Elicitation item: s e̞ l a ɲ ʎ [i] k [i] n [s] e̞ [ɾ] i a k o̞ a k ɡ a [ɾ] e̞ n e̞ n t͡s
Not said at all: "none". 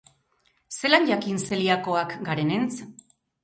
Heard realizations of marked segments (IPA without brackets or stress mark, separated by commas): a, i, s, l, ɾ